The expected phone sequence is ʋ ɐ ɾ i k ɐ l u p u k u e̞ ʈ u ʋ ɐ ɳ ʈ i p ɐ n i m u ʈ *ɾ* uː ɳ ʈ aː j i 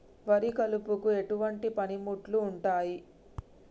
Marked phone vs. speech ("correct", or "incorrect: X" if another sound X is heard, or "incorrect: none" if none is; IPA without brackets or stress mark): incorrect: l